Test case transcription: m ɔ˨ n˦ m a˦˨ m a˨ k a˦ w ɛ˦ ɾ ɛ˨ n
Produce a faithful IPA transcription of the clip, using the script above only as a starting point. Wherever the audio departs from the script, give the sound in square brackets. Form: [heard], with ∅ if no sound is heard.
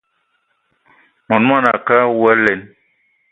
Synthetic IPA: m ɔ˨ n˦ m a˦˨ [n] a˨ k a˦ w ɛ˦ [l] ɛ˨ n